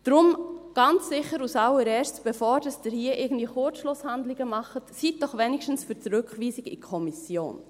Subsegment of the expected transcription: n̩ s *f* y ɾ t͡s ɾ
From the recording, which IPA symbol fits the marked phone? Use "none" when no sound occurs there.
f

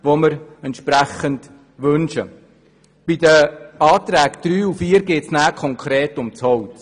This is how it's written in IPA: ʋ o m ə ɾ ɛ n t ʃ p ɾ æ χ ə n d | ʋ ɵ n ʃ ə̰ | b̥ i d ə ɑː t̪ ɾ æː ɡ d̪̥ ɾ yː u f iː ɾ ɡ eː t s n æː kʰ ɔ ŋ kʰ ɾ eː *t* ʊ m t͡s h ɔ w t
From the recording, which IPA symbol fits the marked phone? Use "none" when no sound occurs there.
t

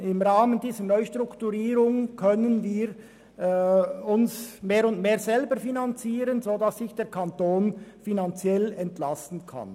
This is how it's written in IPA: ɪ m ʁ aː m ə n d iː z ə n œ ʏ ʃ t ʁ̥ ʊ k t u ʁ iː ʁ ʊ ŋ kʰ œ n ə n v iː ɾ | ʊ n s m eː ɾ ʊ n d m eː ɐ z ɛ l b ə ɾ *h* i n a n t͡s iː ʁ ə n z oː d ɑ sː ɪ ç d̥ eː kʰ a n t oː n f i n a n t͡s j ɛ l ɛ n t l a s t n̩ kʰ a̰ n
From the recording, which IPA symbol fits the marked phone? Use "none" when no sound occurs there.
f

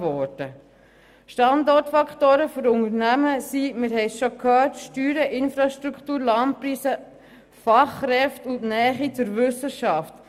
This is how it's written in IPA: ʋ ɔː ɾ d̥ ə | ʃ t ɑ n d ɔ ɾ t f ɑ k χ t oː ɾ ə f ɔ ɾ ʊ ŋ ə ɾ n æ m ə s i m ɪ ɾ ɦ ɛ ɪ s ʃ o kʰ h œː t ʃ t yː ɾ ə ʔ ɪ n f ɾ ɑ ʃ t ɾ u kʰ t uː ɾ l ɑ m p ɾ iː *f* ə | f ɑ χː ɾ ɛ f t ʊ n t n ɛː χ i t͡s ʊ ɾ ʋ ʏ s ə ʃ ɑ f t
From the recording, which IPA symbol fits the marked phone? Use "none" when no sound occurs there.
s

